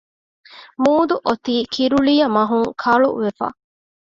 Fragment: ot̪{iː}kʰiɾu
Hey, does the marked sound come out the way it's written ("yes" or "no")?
yes